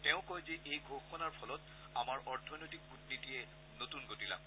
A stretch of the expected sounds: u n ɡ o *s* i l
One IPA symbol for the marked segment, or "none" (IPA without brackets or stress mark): t